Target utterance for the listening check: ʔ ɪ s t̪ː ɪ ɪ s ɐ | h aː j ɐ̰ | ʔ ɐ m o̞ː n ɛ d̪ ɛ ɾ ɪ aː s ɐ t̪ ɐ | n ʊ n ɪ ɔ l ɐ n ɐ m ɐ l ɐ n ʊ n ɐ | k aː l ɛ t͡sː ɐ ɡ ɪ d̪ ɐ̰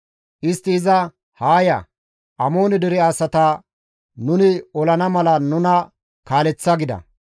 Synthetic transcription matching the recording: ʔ ɪ s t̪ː ɪ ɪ z ɐ | h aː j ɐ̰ | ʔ ɐ m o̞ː n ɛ d̪ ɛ ɾ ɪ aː s ɐ t̪ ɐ | n ʊ n ɪ ɔ l ɐ n ɐ m ɐ l ɐ n ʊ n ɐ | k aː l ɛ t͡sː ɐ ɡ ɪ d̪ ɐ̰